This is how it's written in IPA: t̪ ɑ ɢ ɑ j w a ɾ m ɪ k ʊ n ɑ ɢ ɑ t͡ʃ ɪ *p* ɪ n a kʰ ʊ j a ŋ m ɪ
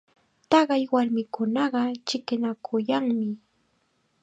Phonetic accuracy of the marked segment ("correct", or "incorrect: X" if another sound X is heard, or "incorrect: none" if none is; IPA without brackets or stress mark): incorrect: k